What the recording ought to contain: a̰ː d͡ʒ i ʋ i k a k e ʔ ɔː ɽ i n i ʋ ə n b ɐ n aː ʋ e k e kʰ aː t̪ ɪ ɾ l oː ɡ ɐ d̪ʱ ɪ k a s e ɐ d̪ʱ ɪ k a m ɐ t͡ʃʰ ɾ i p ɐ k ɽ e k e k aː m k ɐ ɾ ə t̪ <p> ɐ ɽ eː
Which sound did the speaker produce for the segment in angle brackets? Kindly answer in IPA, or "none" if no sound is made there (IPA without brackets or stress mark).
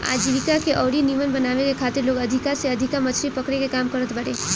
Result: b